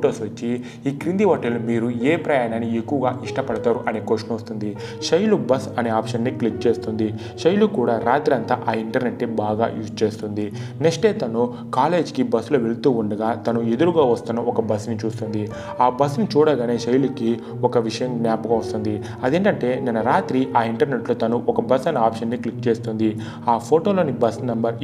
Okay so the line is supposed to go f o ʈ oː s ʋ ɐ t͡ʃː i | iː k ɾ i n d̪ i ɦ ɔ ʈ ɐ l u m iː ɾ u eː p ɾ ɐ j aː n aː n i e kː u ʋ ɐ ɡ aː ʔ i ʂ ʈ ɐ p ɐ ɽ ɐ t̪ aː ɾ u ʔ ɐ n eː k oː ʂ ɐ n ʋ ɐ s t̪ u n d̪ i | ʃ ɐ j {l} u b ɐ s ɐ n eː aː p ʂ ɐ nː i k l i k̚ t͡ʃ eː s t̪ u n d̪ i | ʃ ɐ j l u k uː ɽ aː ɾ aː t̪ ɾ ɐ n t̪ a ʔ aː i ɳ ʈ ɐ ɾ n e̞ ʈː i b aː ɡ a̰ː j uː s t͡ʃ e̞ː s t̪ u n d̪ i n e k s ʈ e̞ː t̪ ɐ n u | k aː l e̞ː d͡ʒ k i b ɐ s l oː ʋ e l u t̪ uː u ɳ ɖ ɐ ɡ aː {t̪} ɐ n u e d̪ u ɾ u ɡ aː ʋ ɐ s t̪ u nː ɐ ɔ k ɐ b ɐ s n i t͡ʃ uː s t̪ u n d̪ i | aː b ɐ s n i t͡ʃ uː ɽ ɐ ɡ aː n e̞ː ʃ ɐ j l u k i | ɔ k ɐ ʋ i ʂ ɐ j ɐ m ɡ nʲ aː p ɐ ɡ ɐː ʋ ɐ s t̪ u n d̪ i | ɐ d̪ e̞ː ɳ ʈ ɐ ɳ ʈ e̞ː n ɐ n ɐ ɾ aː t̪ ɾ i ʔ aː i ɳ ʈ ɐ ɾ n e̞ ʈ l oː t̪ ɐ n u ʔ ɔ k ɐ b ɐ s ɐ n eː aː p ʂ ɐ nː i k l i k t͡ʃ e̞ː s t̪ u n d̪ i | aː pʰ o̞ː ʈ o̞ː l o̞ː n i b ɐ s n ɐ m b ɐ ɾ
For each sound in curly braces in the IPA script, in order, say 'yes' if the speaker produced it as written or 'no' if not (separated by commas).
yes, yes